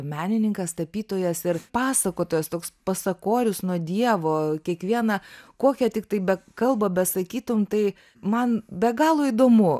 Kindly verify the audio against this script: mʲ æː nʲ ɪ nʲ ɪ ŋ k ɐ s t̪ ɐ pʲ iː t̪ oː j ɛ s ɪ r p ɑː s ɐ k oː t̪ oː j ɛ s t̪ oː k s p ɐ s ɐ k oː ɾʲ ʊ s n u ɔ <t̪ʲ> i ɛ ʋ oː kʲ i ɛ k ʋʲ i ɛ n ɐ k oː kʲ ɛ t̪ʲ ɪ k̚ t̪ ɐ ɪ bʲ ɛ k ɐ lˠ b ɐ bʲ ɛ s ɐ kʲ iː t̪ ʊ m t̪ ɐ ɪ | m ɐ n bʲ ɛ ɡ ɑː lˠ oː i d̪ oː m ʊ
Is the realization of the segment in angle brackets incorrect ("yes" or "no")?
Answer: yes